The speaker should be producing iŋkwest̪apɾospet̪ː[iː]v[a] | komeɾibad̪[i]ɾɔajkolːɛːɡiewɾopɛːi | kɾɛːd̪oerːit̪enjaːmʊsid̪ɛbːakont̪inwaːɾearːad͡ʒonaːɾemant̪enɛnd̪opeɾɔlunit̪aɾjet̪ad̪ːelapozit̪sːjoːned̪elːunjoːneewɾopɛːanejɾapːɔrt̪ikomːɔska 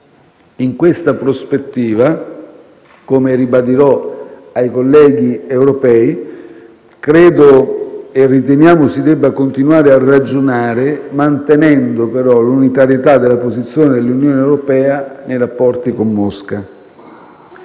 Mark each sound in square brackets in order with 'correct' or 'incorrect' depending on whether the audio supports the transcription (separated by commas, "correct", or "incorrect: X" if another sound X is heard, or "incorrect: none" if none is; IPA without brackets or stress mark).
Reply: correct, correct, correct